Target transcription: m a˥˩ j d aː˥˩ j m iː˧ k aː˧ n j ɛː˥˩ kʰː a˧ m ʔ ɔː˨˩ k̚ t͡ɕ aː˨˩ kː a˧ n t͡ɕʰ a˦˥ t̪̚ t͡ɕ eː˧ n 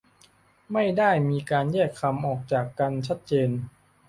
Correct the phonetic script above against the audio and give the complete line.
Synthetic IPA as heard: m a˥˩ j d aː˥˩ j m iː˧ k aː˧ n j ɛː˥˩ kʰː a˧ m ʔ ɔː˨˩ k̚ t͡ɕ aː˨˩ kː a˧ n t͡ɕʰ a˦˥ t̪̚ t͡ɕ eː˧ n